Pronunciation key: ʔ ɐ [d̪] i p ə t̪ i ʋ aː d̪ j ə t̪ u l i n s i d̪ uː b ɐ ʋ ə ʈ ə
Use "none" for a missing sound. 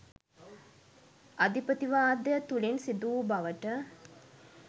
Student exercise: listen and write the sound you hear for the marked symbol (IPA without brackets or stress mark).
d̪